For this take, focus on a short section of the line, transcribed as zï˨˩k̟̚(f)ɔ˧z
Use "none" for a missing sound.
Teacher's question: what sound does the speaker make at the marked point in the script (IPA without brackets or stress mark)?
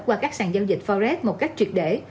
f